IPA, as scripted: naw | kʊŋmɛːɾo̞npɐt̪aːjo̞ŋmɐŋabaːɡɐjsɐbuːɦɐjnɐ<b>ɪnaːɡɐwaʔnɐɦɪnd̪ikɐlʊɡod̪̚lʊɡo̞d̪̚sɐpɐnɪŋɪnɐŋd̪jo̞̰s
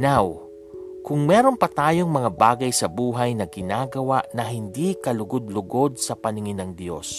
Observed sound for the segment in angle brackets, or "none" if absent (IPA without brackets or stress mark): ɡ